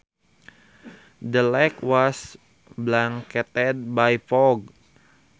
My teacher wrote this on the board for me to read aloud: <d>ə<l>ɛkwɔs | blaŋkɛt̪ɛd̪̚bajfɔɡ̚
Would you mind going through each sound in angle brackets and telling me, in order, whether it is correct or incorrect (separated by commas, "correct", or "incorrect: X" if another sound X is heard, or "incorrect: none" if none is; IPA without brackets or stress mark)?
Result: correct, correct